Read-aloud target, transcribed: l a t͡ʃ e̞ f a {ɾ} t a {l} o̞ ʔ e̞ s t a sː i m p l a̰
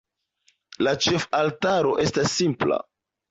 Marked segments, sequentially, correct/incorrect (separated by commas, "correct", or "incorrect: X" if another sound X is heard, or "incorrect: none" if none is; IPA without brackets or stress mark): incorrect: l, incorrect: ɾ